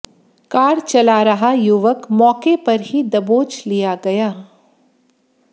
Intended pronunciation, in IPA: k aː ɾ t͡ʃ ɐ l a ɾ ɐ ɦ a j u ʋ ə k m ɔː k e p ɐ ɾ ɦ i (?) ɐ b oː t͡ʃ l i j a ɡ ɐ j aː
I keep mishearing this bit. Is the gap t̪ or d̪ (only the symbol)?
d̪